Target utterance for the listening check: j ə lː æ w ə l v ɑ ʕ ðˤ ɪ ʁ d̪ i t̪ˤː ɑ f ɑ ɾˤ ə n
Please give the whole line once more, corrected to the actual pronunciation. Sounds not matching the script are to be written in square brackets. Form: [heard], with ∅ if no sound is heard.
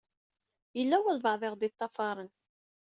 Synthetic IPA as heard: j ə lː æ w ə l v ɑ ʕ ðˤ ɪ ʁ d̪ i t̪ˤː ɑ f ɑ ɾˤ ə n